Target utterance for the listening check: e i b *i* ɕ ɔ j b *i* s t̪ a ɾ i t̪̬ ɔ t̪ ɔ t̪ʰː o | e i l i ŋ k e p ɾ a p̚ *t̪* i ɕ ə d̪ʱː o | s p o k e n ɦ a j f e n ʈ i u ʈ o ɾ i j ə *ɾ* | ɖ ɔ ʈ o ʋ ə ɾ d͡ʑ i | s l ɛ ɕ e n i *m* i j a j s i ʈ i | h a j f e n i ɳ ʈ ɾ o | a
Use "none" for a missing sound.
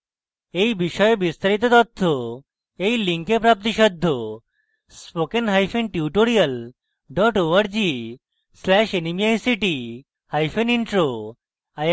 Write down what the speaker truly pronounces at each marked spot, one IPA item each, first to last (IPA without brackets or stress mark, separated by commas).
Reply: i, i, t̪, l, m